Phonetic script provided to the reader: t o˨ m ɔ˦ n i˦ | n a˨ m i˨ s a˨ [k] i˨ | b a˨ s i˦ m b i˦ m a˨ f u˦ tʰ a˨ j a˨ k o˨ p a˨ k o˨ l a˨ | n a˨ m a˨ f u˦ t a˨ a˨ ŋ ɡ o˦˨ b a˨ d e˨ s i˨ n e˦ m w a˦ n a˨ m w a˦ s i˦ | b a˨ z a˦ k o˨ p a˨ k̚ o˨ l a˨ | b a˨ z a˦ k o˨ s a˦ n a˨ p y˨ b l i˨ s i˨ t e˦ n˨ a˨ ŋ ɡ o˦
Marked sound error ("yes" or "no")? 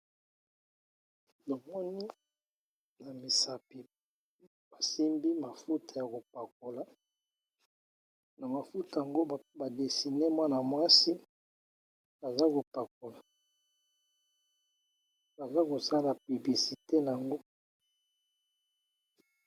yes